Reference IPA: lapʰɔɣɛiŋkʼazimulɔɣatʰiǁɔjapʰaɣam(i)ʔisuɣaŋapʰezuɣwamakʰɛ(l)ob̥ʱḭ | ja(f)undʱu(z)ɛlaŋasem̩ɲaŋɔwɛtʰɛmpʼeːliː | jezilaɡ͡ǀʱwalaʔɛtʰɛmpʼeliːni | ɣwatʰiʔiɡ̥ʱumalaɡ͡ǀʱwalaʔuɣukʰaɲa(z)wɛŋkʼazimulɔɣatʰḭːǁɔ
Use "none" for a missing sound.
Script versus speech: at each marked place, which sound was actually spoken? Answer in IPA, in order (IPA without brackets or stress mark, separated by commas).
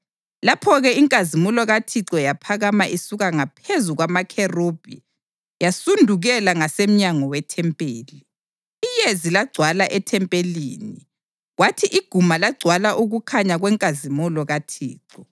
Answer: a, r, s, ɣ, ɣ